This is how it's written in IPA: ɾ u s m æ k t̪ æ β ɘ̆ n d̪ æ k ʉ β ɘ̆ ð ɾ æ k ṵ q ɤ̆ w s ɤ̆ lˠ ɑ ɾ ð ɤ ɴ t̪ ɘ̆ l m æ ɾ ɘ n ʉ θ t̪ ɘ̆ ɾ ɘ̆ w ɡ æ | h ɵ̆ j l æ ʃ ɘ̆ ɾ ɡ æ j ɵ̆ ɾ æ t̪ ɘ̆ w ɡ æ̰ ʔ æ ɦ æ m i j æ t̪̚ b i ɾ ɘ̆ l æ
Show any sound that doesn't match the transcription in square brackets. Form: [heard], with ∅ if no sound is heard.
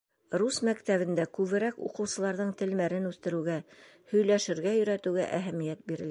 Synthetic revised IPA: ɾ u s m æ k t̪ æ β ɘ̆ n d̪ æ k ʉ β ɘ̆ [∅] ɾ æ k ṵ q ɤ̆ w s ɤ̆ lˠ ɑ ɾ ð ɤ ɴ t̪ ɘ̆ l m æ ɾ ɘ n ʉ θ t̪ ɘ̆ ɾ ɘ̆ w ɡ æ | h ɵ̆ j l æ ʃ ɘ̆ ɾ ɡ æ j ɵ̆ ɾ æ t̪ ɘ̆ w ɡ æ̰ ʔ æ ɦ æ m i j æ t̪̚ b i ɾ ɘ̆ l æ